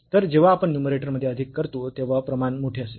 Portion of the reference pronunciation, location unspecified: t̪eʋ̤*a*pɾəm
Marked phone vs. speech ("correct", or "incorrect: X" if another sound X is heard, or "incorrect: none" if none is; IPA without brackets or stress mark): correct